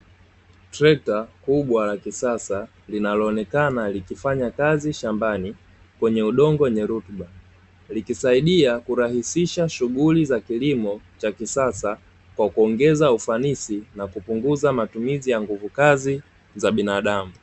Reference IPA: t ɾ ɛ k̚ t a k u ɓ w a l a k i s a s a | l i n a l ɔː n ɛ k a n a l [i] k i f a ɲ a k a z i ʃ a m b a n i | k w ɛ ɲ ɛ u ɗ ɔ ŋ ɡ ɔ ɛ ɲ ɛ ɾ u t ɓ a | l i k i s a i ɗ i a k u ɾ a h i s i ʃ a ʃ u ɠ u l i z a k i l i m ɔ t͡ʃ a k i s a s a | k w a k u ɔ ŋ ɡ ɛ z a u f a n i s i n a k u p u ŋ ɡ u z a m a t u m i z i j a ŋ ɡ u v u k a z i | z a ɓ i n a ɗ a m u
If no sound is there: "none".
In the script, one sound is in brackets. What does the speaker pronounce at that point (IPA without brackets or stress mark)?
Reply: i